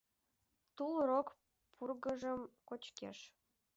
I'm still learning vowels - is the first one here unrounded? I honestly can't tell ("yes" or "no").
no